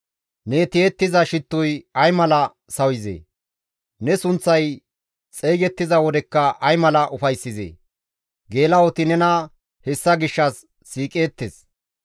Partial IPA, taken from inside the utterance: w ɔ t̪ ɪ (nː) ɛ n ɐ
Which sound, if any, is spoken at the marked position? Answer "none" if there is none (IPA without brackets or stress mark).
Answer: n